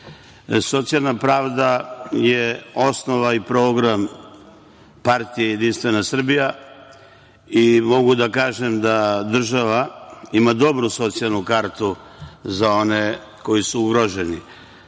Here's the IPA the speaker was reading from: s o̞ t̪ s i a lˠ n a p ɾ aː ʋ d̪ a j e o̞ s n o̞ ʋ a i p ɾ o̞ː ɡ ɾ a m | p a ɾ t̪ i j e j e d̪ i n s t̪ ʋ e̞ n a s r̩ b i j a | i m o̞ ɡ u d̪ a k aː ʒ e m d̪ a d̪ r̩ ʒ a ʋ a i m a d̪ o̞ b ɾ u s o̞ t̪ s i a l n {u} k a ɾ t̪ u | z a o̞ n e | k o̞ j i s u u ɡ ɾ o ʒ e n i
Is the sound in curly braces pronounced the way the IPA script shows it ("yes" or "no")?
yes